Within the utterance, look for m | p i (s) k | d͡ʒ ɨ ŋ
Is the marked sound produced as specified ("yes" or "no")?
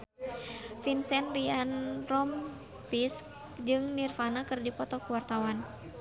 yes